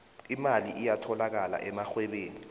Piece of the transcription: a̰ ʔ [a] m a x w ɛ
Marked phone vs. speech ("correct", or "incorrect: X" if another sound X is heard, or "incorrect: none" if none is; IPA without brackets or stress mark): incorrect: ɛ